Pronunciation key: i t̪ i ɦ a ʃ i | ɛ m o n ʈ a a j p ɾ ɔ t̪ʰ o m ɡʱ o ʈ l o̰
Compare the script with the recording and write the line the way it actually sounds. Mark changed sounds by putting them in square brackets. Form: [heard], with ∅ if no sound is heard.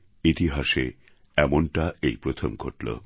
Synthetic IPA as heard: i t̪ i ɦ a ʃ [e] | ɛ m o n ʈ a [e] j p ɾ [o] t̪ʰ o m ɡʱ o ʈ l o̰